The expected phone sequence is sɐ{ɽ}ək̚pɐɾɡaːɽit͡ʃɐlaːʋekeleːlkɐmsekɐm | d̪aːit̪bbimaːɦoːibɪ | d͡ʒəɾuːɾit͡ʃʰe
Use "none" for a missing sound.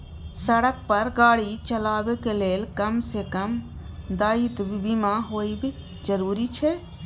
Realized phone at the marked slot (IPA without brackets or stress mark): ɽ